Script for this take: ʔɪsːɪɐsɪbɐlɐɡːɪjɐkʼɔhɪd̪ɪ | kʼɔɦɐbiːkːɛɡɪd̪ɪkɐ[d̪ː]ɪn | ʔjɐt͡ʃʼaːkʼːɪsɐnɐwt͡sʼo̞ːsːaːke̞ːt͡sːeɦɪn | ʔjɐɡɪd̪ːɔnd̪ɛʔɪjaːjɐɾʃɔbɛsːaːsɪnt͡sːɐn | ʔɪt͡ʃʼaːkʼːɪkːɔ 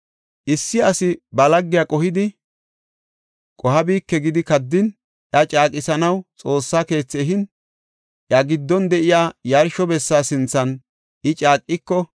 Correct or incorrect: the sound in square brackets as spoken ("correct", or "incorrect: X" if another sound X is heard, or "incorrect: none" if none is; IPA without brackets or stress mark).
correct